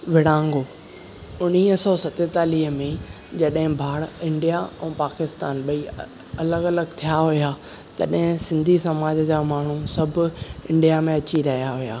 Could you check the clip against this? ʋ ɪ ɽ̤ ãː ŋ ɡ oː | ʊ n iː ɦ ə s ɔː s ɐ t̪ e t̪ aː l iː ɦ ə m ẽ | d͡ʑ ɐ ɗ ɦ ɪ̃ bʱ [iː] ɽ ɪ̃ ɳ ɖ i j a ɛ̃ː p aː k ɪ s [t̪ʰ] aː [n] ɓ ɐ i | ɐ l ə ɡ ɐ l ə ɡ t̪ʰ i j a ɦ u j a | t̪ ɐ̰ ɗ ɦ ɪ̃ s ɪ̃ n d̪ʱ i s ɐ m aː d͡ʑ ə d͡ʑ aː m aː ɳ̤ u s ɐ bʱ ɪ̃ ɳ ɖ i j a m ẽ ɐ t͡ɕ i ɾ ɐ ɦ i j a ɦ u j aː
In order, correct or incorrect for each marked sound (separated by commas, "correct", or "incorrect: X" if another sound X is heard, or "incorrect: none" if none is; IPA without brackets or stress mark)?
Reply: incorrect: aː, incorrect: t̪, correct